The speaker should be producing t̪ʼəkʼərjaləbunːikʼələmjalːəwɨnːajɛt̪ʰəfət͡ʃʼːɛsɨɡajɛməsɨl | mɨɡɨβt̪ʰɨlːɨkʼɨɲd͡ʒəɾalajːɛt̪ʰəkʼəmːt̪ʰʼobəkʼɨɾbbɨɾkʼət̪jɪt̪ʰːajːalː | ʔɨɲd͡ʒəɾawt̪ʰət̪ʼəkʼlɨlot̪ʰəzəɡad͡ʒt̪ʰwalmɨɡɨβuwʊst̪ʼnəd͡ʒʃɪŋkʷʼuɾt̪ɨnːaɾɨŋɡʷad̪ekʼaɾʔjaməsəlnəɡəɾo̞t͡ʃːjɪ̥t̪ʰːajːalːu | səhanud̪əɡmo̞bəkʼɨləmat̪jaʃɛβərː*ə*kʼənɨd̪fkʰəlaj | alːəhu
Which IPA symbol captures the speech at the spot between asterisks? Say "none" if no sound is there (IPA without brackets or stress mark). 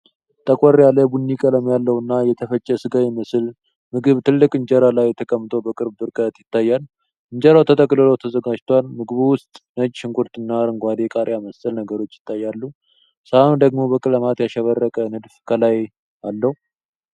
ə